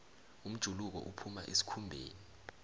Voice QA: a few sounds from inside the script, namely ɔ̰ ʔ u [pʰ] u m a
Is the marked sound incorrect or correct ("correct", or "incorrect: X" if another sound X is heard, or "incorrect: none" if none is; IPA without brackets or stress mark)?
correct